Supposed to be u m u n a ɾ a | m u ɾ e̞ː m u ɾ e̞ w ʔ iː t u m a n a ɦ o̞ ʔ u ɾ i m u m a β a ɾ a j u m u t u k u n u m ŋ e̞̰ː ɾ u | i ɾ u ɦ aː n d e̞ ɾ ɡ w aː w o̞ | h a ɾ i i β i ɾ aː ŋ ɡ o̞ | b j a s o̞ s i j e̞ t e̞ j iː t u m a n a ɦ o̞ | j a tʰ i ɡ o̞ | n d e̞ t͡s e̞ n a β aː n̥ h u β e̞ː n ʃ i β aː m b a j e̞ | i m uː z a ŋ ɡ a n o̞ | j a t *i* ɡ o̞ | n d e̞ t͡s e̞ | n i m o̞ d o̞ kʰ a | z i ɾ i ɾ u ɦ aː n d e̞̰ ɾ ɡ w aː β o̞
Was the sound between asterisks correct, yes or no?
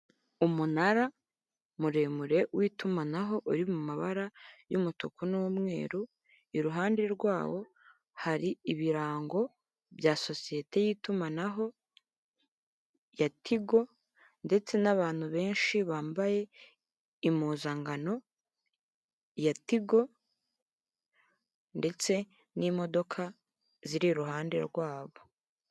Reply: yes